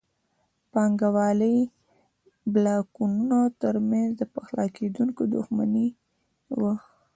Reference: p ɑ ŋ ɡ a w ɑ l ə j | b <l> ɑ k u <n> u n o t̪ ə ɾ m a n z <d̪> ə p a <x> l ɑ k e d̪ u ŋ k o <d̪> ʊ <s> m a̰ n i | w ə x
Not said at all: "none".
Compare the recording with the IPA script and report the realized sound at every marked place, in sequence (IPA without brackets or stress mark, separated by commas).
l, n, d̪, x, d̪, x